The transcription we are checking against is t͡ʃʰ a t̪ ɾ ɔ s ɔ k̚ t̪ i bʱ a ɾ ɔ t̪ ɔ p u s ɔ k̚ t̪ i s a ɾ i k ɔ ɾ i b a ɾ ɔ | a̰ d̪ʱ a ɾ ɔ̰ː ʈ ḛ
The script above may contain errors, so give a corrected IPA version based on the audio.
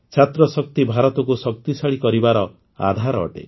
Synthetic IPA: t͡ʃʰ a t̪ ɾ ɔ s ɔ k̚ t̪ i bʱ a ɾ ɔ t̪ ɔ k u s ɔ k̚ t̪ i s a ɭ i k ɔ ɾ i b a ɾ ɔ | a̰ d̪ʱ a ɾ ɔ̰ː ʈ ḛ